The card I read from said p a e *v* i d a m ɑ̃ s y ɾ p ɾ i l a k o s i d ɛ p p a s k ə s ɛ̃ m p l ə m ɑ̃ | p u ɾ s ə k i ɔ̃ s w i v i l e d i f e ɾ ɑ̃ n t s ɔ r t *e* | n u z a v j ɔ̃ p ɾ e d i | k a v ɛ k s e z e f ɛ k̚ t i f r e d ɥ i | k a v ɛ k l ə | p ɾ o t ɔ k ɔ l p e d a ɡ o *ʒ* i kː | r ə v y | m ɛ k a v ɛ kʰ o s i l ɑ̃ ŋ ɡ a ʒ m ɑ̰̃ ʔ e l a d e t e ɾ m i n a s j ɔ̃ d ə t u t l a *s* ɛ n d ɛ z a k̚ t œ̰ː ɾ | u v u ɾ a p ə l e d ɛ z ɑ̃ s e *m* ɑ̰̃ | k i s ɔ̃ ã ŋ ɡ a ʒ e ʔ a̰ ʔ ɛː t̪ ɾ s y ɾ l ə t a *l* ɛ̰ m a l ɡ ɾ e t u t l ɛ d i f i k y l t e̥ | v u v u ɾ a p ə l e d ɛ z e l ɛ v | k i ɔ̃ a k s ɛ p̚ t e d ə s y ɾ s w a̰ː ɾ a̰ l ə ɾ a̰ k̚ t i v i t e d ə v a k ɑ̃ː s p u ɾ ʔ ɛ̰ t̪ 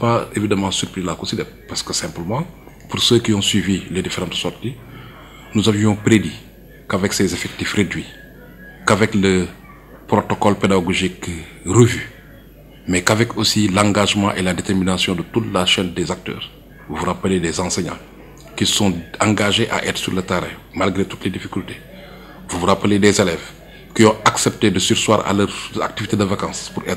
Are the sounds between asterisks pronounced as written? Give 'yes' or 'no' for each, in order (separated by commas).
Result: yes, no, yes, no, no, no